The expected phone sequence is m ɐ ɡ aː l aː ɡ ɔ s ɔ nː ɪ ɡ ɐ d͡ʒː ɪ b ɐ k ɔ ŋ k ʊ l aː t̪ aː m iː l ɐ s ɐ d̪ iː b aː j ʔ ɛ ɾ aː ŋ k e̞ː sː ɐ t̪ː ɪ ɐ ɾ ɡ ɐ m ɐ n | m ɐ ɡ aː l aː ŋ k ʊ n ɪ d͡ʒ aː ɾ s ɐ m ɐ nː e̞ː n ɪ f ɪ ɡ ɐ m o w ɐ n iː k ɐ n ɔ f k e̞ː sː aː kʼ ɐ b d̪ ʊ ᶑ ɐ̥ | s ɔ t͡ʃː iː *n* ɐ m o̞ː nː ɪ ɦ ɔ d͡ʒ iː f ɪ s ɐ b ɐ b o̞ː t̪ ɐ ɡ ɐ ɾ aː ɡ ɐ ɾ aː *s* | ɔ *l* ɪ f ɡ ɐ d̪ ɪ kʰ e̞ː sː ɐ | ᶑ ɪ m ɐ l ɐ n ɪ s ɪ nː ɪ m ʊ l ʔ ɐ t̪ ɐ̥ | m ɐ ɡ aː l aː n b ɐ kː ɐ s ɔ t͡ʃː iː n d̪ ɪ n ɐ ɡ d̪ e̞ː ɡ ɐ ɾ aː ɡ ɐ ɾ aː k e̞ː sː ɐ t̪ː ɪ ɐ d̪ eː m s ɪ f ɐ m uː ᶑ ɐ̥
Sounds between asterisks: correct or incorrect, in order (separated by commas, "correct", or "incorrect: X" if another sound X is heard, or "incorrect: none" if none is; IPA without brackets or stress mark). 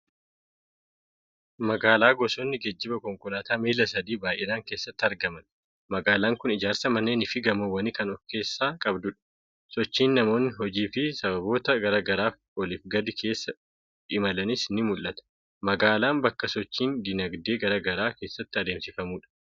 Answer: incorrect: nː, incorrect: f, correct